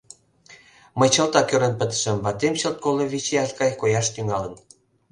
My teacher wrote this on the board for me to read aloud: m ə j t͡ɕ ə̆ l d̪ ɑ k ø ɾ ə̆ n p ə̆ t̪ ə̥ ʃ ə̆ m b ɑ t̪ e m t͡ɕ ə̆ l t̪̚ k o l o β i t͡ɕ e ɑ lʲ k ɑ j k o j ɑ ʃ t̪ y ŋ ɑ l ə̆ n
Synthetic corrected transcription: m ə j t͡ɕ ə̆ l t̪ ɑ k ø ɾ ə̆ n p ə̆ t̪ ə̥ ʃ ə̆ m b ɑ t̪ e m t͡ɕ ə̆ l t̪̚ k o l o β i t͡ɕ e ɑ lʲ k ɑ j k o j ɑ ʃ t̪ y ŋ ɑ l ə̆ n